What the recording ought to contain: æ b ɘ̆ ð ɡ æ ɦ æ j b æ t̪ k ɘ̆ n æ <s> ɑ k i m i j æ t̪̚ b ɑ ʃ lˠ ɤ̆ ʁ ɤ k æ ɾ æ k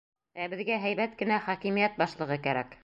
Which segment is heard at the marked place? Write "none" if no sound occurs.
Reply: χ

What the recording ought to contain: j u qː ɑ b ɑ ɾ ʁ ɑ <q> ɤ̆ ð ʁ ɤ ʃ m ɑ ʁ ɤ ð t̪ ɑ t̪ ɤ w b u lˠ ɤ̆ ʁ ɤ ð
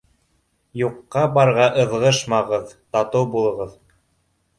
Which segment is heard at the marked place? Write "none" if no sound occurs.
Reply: ʔ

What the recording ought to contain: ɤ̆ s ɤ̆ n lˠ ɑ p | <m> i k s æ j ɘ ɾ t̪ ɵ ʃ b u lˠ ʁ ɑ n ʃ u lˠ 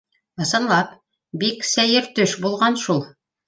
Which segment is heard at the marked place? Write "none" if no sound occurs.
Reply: b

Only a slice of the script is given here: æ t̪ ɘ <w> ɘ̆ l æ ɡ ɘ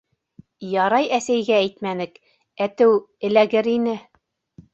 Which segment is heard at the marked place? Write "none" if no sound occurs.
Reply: w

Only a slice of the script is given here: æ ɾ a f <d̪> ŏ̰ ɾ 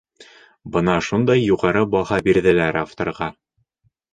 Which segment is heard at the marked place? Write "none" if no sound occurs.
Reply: t̪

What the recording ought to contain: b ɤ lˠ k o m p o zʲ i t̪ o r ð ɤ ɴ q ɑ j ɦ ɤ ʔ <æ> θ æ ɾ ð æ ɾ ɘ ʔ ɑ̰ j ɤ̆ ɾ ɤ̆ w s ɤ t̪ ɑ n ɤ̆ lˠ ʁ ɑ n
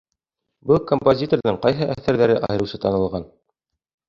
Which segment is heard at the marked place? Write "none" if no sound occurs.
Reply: æ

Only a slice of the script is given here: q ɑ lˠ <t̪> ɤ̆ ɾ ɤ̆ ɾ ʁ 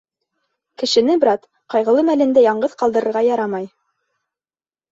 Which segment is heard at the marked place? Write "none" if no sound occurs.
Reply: d̪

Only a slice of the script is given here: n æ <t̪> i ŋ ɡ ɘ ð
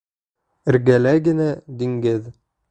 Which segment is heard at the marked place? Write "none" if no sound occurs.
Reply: d̪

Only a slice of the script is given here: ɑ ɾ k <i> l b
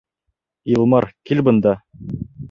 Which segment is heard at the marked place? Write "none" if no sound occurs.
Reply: i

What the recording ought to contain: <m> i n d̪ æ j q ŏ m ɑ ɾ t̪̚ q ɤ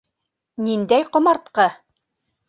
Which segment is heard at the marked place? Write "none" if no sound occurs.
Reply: n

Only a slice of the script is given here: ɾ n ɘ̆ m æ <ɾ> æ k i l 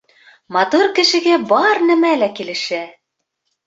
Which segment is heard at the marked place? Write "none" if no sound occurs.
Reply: l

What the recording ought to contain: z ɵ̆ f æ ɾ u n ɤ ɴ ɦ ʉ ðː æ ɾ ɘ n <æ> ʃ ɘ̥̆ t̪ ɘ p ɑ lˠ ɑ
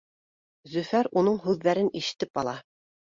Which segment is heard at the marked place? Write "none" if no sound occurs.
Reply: i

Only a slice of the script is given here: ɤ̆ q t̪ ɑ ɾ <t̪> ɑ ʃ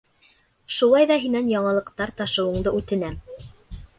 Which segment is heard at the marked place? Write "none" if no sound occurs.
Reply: t̪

